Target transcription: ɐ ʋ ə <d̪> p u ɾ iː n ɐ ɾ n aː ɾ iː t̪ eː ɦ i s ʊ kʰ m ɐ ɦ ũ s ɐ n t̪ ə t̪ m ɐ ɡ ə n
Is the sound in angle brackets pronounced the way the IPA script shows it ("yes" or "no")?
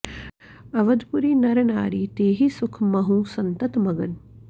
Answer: yes